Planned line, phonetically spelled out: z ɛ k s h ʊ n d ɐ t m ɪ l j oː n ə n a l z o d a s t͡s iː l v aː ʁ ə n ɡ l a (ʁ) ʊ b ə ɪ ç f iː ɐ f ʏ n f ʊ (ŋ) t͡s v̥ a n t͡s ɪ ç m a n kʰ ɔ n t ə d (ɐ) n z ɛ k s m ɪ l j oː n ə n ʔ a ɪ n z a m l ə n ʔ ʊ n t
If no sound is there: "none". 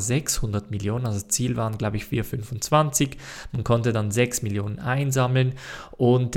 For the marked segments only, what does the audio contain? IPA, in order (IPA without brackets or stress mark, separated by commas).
none, n, a